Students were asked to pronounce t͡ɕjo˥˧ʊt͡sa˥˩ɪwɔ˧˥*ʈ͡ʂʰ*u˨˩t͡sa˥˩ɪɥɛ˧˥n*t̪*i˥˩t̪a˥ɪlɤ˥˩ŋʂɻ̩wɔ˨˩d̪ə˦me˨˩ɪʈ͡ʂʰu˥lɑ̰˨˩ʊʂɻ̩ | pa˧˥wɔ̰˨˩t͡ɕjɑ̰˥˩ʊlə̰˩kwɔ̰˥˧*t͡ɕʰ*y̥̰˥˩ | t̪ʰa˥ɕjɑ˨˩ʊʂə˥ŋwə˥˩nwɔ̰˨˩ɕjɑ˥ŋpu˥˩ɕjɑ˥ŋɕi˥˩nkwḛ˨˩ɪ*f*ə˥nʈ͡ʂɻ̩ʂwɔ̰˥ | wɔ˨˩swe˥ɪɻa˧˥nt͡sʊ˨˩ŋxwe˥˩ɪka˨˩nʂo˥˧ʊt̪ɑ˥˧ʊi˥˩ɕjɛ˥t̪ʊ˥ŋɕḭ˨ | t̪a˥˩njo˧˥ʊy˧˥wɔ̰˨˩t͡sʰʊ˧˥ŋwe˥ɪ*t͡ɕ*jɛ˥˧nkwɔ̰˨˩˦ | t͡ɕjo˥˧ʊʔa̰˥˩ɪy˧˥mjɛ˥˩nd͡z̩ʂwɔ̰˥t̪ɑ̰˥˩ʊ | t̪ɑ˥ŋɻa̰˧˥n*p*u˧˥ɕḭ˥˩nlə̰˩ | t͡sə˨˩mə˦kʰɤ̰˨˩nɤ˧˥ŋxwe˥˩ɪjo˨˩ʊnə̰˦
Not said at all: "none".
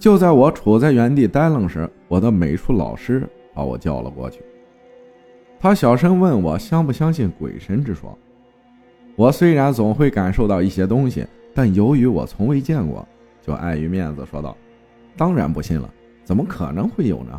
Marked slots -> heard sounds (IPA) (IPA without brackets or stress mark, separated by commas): ʈ͡ʂʰ, t̪, t͡ɕʰ, ʂ, t͡ɕ, p